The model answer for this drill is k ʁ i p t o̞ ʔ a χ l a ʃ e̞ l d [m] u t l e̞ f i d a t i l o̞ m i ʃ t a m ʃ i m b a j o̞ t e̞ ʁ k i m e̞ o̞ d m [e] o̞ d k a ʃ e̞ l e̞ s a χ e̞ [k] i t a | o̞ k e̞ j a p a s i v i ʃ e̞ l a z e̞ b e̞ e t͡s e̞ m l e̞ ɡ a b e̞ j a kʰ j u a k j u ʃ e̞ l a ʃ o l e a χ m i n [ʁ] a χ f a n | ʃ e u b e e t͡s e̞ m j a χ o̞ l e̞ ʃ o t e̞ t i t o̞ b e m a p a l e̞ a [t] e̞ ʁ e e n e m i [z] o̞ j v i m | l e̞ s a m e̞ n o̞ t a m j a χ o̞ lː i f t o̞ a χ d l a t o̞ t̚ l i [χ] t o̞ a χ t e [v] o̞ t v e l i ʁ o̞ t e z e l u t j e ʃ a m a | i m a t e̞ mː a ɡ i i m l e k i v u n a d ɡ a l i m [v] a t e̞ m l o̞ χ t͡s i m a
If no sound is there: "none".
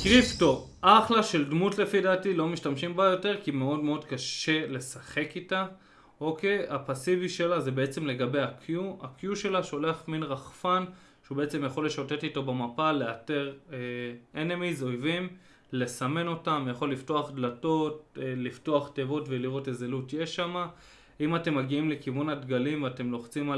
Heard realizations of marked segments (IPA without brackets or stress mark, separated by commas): m, e, k, ʁ, t, z, f, v, v